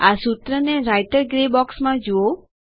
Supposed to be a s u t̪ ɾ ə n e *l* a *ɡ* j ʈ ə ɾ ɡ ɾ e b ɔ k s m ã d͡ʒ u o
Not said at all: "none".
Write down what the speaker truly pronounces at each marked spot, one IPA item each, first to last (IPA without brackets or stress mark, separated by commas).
ɾ, none